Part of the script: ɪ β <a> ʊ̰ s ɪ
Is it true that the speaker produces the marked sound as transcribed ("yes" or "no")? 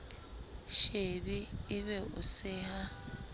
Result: no